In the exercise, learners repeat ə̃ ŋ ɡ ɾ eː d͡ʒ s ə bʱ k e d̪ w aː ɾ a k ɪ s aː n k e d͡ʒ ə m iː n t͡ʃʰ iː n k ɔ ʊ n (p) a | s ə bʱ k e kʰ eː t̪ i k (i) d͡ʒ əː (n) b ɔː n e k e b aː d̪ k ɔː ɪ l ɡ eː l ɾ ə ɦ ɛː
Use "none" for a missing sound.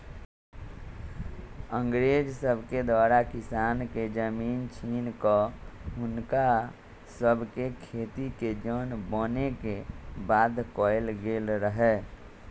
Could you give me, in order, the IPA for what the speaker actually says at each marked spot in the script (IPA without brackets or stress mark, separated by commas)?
k, e, n